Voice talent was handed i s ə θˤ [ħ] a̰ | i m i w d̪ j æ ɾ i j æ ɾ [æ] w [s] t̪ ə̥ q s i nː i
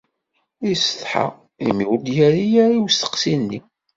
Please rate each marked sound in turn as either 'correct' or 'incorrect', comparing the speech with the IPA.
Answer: correct, incorrect: i, correct

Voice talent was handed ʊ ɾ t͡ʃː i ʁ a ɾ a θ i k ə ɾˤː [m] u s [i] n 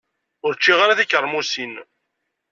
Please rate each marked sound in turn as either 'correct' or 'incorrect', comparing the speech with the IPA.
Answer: correct, correct

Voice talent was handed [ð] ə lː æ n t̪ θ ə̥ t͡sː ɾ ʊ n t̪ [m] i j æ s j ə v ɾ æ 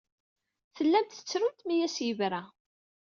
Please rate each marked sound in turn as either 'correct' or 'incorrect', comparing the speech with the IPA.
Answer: incorrect: θ, correct

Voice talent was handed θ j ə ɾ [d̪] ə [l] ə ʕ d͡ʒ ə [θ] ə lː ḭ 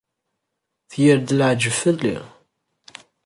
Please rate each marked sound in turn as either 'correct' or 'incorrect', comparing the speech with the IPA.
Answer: correct, correct, incorrect: f

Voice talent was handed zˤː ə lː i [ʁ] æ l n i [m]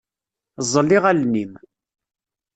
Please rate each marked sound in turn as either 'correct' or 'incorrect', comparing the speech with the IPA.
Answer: correct, correct

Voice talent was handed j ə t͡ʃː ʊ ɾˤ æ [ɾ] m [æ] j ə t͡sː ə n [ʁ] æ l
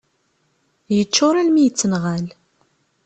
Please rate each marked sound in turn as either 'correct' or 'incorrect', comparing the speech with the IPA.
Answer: incorrect: l, incorrect: i, correct

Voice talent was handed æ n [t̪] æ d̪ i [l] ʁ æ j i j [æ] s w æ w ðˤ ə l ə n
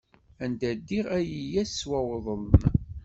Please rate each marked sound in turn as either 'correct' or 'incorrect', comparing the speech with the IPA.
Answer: incorrect: d̪, incorrect: none, correct

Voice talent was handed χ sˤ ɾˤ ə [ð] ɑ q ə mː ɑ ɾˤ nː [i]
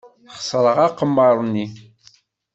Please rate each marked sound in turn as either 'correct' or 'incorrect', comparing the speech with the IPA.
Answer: incorrect: ʁ, correct

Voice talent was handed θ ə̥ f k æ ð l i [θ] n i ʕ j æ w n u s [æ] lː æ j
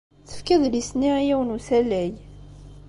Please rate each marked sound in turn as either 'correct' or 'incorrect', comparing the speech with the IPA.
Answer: incorrect: s, correct

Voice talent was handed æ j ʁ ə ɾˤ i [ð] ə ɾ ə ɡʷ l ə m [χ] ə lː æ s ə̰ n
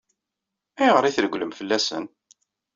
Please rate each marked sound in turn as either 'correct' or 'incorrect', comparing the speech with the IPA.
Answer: incorrect: θ, incorrect: f

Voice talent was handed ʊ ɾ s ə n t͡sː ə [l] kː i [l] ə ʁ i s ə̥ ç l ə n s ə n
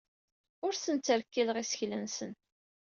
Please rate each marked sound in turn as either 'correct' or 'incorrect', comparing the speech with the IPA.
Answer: incorrect: ɾ, correct

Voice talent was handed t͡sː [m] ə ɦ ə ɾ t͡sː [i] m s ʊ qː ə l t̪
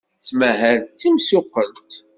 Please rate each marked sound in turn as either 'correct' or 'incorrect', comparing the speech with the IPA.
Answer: correct, correct

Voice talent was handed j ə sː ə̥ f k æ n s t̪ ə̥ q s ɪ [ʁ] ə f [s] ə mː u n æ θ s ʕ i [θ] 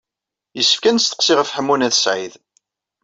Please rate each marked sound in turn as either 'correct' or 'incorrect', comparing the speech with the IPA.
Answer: correct, incorrect: ħ, incorrect: ð

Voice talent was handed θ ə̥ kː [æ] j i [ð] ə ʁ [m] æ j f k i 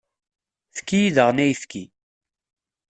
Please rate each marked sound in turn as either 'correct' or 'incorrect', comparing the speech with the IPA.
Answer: incorrect: i, correct, incorrect: n

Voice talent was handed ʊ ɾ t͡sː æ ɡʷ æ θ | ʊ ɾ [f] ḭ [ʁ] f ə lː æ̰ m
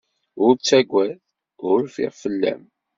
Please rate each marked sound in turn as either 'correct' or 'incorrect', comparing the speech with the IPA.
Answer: correct, correct

